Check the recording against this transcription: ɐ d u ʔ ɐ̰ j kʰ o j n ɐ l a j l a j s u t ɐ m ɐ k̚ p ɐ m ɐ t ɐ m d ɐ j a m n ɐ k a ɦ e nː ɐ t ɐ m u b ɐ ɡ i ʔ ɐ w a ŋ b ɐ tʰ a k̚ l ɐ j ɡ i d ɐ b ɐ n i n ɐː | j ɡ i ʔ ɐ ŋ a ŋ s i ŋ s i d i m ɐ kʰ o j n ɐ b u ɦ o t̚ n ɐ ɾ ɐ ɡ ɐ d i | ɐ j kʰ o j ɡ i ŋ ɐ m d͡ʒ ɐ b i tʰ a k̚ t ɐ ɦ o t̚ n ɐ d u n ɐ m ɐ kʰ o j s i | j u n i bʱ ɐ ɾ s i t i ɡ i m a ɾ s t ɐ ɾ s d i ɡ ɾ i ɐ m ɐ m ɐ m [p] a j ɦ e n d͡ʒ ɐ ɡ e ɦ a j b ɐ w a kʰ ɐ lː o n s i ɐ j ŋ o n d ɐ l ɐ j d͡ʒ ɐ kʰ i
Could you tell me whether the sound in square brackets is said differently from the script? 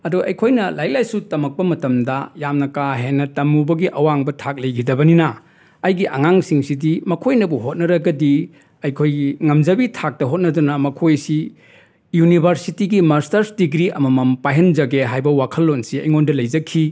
no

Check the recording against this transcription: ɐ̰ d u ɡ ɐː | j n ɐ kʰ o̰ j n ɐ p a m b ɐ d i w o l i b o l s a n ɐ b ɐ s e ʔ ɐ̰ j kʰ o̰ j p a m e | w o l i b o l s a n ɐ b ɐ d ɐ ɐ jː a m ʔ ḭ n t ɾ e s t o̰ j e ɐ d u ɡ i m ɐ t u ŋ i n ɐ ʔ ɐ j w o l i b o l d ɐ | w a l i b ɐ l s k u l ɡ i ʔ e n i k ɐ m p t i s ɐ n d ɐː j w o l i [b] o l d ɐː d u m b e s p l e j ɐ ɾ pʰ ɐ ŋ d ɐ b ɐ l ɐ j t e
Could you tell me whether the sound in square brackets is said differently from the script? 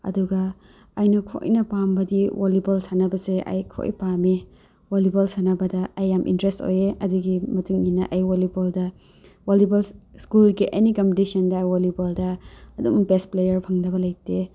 no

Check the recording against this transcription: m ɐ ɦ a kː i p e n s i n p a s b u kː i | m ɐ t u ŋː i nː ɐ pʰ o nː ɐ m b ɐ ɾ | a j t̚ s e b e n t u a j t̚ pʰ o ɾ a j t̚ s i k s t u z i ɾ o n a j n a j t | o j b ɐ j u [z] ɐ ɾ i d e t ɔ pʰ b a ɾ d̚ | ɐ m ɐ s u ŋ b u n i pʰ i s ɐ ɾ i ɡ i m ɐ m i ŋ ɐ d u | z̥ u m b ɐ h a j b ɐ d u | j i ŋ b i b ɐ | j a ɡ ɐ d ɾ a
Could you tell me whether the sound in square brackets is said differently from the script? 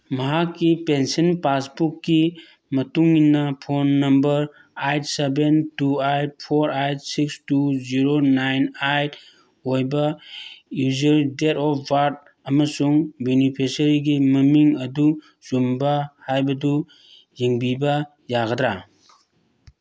no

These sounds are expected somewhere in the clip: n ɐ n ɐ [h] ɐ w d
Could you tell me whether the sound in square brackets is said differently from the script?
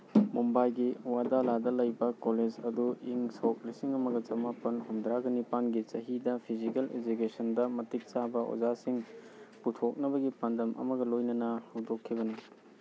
no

